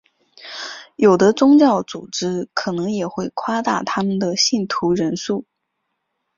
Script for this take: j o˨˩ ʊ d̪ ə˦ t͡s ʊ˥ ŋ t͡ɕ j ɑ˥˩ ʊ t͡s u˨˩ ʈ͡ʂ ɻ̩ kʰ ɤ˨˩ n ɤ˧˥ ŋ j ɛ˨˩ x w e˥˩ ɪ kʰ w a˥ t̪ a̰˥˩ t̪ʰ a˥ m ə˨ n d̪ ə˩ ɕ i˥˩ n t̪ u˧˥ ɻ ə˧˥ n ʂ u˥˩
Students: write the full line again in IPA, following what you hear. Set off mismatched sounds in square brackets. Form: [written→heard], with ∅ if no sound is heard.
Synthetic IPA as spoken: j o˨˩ ʊ d̪ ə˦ t͡s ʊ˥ ŋ t͡ɕ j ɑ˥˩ ʊ t͡s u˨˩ ʈ͡ʂ ɻ̩ kʰ ɤ˨˩ n ɤ˧˥ ŋ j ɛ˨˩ x w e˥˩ ɪ kʰ w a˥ t̪ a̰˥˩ t̪ʰ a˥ m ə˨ n d̪ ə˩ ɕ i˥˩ n [t̪→t̪ʰ] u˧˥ ɻ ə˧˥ n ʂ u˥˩